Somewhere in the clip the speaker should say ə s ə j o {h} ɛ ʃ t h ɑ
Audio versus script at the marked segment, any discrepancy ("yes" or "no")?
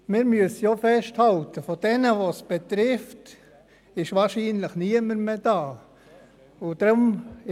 yes